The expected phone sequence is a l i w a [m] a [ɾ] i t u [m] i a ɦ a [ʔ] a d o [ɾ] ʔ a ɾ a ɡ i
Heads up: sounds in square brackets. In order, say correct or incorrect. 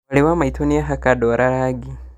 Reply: correct, incorrect, incorrect, incorrect, correct

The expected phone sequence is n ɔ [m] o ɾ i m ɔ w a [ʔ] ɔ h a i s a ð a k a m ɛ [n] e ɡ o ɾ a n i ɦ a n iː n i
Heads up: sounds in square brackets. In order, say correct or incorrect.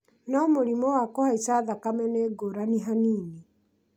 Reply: correct, incorrect, correct

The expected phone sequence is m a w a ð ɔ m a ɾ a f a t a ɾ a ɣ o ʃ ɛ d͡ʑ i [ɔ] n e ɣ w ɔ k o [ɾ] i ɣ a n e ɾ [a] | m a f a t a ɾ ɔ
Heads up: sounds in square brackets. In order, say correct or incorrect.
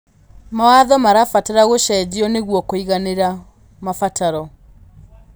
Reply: correct, incorrect, correct

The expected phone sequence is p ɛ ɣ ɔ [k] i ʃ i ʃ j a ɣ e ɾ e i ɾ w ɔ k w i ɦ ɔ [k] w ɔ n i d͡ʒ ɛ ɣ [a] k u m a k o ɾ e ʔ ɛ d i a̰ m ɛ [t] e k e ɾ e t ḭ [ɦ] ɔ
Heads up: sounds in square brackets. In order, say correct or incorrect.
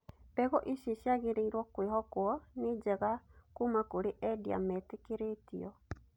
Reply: incorrect, correct, correct, correct, incorrect

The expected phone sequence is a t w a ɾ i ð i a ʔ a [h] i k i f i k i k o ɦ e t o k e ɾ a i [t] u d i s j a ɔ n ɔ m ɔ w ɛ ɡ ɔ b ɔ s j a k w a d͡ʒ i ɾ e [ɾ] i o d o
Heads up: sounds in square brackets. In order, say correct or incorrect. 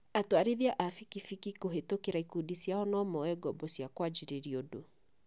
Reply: incorrect, incorrect, correct

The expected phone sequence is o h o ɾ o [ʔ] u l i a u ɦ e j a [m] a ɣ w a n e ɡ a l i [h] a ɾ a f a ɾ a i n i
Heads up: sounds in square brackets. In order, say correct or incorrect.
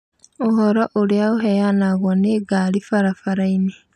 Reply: correct, incorrect, incorrect

